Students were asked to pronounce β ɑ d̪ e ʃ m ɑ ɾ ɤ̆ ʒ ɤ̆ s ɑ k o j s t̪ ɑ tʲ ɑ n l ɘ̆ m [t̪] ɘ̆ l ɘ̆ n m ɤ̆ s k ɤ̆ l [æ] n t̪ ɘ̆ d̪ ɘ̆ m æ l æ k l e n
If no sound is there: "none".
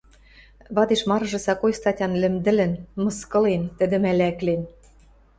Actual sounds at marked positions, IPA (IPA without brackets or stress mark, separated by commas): d̪, e